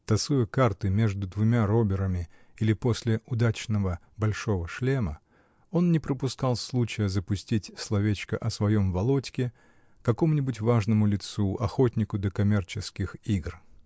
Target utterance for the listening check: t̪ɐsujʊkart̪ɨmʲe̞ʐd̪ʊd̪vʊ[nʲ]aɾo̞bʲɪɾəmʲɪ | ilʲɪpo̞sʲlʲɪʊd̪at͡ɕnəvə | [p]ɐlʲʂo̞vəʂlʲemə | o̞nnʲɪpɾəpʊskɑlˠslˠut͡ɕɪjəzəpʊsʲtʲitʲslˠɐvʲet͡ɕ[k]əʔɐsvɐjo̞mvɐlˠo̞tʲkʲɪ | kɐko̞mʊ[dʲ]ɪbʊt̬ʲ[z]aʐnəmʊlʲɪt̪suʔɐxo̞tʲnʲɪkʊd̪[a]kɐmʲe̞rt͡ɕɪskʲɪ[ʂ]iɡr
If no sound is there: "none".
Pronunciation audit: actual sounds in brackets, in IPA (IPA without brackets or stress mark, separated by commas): mʲ, b, k, nʲ, v, ə, x